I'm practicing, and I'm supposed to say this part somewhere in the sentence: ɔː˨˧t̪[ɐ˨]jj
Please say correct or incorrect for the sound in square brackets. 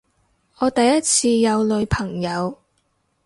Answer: correct